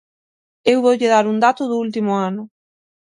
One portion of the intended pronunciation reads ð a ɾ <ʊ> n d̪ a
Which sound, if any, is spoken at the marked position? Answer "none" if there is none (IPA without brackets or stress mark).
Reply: u